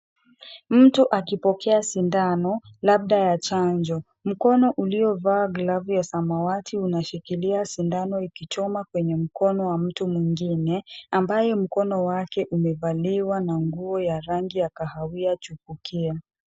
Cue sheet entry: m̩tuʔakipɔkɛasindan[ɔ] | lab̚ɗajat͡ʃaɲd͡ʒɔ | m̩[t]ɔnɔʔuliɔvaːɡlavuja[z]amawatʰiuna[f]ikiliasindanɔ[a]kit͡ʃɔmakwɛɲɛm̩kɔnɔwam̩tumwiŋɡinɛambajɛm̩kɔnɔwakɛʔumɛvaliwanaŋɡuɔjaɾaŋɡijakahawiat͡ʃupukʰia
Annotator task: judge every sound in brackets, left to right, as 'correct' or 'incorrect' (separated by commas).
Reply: correct, incorrect, incorrect, incorrect, incorrect